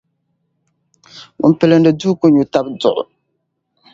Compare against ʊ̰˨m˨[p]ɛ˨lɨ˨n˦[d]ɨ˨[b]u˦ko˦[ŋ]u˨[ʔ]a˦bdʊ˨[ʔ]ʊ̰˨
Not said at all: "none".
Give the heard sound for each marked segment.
p, d, d, ɲ, t, ʔ

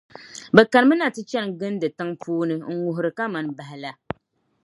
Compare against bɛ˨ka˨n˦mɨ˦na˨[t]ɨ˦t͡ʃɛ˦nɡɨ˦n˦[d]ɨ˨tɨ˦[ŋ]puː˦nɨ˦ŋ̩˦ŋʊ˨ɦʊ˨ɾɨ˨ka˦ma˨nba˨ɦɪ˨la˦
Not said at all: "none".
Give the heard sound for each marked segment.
t, d, ŋ

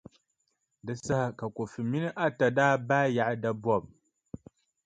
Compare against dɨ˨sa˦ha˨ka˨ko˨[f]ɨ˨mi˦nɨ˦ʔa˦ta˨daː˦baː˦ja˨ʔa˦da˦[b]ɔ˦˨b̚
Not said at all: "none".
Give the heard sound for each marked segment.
f, b

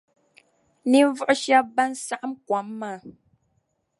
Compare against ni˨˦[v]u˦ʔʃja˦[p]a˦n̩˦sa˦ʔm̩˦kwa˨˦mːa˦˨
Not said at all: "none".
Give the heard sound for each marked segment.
v, b

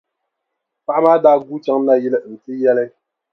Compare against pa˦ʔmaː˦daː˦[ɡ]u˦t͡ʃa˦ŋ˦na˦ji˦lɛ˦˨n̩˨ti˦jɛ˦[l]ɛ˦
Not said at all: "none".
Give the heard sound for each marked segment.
ɡ, l

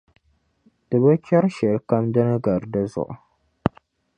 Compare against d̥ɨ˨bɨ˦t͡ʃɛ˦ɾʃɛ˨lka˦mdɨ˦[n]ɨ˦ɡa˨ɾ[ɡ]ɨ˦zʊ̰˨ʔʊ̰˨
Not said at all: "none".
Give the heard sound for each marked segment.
n, d

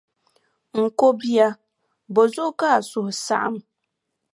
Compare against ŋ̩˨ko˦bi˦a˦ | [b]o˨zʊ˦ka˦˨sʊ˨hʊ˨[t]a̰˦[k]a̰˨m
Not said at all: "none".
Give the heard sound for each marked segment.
b, s, ʔ

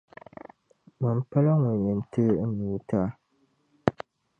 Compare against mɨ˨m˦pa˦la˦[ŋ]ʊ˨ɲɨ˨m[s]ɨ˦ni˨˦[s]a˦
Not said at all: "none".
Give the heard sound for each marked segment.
ŋ, t, t

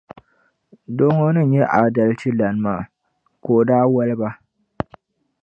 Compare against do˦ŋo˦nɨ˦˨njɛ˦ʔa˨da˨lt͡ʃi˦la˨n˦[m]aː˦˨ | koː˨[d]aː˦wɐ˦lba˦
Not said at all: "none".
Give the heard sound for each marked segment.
m, d

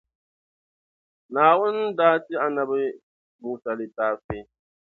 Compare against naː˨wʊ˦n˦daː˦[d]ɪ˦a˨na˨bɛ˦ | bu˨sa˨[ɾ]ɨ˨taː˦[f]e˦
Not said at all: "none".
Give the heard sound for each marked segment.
t, l, f

